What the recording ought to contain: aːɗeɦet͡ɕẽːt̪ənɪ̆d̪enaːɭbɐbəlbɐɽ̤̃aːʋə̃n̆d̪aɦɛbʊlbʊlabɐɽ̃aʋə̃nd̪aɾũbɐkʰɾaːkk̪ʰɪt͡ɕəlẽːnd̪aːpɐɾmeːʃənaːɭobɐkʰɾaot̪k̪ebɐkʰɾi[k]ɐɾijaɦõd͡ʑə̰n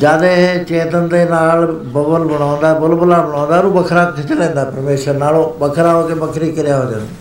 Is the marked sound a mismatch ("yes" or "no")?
no